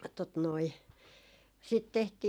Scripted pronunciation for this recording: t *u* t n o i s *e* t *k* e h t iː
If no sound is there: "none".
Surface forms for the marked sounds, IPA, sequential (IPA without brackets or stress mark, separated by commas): o, i, t